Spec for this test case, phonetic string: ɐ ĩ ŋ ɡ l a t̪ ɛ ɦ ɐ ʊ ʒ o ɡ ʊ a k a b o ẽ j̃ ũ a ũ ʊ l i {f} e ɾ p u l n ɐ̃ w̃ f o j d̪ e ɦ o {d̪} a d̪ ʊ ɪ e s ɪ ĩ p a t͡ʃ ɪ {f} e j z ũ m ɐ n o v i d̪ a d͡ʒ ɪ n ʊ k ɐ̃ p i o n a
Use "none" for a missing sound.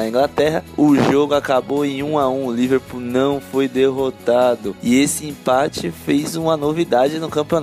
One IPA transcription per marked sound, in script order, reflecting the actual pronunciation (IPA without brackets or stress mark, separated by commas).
v, t̪, f